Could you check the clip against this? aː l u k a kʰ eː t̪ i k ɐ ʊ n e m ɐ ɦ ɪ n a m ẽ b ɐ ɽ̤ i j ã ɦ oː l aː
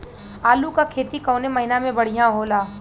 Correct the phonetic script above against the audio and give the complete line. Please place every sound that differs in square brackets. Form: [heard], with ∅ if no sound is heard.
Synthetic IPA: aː l u k a kʰ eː t̪ i k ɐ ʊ n e m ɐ ɦ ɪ n a m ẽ b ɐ ɽ̤ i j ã ɦ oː l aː